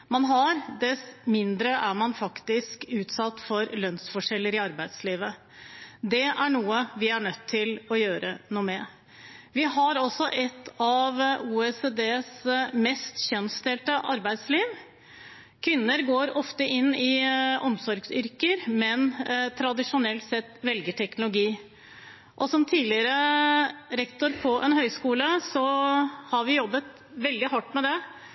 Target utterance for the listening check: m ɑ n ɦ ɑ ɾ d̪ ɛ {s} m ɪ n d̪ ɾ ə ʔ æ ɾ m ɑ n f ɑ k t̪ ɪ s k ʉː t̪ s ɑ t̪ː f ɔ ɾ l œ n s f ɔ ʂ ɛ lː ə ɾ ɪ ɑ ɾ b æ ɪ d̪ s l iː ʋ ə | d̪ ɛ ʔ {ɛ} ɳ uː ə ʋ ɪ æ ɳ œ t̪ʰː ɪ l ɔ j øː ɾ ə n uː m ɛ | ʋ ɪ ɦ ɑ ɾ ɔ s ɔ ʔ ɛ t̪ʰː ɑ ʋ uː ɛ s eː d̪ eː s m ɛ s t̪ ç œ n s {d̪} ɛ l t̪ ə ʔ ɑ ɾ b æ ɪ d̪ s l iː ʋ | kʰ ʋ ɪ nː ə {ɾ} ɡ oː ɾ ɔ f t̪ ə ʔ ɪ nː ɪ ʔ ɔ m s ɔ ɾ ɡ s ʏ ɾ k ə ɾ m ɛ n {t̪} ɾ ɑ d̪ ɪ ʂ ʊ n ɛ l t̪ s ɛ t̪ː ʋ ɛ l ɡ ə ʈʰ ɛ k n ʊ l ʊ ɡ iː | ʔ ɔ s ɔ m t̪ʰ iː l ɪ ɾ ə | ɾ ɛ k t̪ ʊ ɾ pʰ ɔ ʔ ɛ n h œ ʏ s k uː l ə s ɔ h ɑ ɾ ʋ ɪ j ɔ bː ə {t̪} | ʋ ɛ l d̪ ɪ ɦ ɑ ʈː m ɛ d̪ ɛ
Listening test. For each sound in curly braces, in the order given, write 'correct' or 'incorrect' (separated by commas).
correct, incorrect, incorrect, correct, incorrect, correct